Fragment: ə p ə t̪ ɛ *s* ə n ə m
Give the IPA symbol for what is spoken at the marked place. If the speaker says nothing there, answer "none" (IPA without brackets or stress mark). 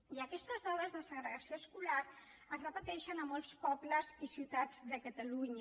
ʃ